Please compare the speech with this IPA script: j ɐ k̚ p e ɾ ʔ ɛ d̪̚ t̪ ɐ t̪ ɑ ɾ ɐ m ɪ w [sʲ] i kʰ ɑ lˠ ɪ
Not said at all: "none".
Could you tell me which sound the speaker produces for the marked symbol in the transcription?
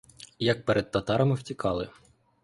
tʲ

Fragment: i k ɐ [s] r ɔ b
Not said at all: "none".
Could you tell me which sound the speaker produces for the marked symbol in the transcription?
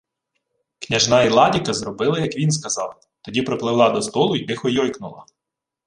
z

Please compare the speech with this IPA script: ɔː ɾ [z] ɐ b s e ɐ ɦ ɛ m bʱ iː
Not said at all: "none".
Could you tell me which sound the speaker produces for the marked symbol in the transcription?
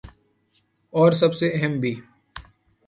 s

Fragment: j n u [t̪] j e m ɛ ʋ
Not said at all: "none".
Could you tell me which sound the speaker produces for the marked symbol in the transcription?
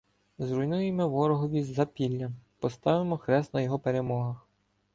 none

